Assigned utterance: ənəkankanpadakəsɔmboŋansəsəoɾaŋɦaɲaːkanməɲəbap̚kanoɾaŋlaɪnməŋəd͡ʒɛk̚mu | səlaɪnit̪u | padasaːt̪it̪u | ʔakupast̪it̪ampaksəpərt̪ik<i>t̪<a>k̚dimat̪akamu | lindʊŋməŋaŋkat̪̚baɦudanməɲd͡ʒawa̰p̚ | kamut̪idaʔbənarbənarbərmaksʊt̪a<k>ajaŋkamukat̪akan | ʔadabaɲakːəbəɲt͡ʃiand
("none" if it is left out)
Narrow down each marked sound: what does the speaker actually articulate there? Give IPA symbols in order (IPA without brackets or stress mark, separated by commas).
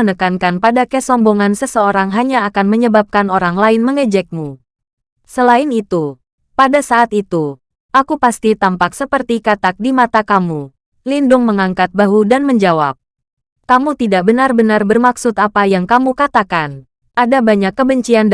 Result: a, a, p